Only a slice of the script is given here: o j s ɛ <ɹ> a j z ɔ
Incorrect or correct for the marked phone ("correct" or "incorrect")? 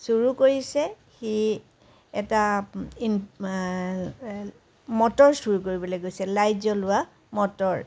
incorrect